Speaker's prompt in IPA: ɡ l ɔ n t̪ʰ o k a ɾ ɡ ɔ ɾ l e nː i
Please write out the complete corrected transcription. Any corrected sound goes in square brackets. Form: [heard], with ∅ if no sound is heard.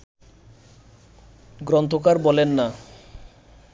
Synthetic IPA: ɡ [ɾ] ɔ n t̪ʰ o k a ɾ [b] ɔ [∅] l e nː [a]

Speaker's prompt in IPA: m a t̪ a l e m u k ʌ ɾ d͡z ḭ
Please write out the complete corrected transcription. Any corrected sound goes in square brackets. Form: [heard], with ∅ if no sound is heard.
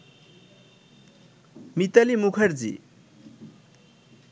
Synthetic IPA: m [i] t̪ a l [i] m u [kʰ] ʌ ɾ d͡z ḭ

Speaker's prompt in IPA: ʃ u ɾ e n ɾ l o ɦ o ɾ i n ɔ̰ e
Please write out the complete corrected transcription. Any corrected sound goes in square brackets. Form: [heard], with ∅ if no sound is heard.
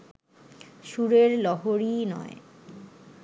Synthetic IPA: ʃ u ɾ e [∅] ɾ l [ɔ] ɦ o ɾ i n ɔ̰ e

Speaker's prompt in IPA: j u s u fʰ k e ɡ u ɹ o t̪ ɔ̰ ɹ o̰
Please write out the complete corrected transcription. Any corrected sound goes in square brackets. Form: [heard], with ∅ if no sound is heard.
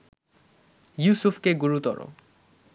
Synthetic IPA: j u s u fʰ k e ɡ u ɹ [u] t̪ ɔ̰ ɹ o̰

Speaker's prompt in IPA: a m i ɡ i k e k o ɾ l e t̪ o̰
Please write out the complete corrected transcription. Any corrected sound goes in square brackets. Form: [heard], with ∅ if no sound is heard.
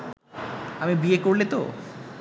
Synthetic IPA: a m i [b] i [∅] e k o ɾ l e t̪ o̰

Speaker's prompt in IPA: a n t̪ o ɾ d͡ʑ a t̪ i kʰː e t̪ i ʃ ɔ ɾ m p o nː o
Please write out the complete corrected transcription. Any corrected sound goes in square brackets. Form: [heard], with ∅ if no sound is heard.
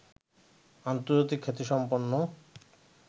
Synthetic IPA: a n t̪ o ɾ d͡ʑ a t̪ i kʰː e t̪ i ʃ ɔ [∅] m p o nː o

